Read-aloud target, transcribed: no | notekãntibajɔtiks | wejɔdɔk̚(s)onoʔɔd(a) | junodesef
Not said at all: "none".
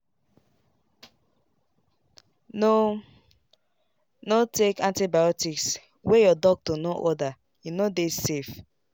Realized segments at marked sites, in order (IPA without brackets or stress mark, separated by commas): t, a